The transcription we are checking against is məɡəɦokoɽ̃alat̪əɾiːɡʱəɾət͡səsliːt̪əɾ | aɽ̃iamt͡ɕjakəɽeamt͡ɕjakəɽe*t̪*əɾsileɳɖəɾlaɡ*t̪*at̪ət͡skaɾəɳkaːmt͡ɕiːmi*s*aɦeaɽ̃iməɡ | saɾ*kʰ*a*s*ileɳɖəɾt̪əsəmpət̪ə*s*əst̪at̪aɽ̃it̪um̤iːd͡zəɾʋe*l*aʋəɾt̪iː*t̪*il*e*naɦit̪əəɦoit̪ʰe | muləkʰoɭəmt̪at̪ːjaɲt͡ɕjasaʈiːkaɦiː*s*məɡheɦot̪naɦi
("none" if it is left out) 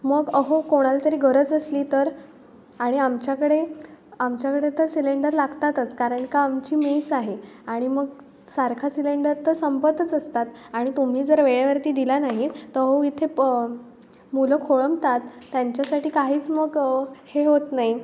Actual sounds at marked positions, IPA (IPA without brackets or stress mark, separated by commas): t̪, t̪, s, kʰ, s, t͡s, ɭ, d̪, a, t͡s